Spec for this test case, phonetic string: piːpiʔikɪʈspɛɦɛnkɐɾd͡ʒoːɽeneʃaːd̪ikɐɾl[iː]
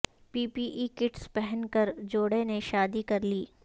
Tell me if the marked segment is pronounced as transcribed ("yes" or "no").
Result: yes